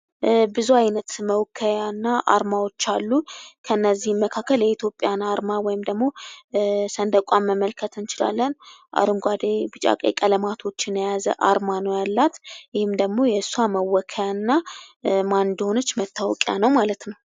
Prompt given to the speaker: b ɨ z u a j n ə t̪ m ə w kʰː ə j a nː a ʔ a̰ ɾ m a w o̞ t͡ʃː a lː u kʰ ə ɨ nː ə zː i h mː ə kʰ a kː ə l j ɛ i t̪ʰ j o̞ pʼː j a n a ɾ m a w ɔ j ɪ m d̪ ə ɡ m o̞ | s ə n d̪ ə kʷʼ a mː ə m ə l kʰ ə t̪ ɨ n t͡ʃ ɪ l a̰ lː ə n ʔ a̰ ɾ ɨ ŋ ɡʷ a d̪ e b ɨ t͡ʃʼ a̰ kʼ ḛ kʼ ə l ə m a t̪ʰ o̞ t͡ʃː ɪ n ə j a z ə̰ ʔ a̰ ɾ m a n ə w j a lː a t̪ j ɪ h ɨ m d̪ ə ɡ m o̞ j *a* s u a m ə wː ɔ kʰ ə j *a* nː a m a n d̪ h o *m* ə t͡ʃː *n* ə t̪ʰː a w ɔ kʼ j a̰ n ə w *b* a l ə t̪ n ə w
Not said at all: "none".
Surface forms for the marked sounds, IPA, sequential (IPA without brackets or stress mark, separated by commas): ɛ, a, n, m, m